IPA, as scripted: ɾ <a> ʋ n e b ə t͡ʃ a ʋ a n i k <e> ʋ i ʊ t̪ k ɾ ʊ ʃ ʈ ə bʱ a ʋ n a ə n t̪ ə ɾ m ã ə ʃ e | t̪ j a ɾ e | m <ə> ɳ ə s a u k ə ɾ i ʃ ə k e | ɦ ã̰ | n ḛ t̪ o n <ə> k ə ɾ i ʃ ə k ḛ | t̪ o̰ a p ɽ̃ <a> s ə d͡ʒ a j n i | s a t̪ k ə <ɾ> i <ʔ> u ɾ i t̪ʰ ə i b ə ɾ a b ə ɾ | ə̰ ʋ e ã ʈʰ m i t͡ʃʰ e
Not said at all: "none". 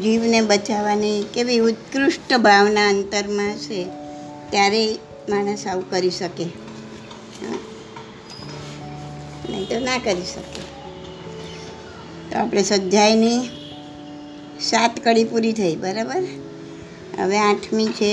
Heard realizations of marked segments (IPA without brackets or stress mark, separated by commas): i, e, a, a, e, ɽ, p